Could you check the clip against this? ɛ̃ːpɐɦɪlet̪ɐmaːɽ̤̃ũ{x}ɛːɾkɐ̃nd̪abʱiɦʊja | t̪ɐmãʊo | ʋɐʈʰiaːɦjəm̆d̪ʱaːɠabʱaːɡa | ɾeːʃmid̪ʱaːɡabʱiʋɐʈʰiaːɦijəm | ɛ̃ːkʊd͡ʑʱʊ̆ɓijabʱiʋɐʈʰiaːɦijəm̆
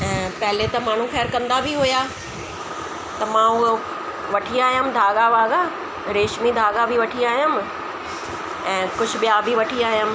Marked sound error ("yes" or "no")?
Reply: no